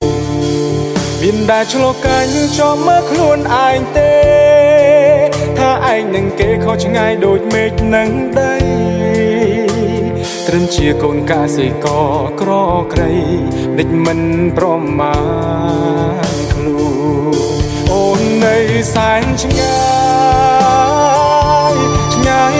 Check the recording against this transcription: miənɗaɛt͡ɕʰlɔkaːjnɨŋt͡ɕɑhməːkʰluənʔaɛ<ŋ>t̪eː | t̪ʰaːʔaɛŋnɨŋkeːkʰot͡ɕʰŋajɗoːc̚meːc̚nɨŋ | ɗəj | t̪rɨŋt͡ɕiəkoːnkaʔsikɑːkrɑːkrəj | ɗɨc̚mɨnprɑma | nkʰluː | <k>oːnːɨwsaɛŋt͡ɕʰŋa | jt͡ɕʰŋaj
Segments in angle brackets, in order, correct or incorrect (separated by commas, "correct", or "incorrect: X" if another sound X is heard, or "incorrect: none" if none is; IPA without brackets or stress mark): correct, incorrect: ʔ